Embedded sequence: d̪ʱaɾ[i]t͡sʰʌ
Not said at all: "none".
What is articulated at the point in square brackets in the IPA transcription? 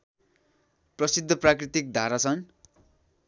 a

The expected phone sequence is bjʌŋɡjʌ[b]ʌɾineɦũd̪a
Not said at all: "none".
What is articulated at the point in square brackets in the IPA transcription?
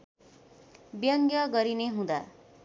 ɡ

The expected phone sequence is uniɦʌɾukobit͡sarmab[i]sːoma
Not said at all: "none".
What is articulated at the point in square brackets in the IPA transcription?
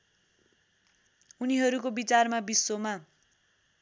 i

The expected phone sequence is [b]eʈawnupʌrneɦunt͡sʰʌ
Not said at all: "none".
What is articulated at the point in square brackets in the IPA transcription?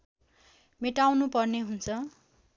m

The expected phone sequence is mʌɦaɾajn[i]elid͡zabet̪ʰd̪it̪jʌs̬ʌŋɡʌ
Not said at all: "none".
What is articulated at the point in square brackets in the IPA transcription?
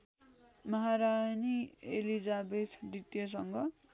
i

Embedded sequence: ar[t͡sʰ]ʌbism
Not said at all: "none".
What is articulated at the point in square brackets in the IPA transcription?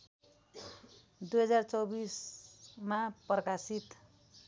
t͡s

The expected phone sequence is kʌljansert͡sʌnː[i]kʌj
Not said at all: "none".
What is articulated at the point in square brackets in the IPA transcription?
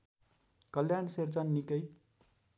i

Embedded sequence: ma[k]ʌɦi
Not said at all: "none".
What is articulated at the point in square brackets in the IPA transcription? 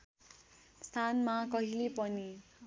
k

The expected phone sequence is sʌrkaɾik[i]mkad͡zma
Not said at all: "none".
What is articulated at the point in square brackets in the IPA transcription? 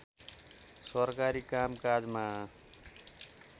a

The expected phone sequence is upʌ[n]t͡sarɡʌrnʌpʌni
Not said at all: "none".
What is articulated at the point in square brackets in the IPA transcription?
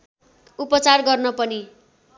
none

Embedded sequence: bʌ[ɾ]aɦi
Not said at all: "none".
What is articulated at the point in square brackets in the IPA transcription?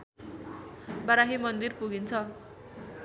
ɾ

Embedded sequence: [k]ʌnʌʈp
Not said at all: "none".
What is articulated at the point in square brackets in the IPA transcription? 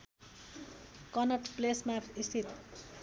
k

